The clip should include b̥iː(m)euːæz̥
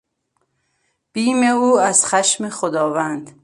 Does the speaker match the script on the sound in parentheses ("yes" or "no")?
yes